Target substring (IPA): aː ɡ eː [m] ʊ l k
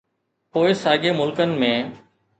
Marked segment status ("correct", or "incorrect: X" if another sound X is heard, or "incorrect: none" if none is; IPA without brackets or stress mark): correct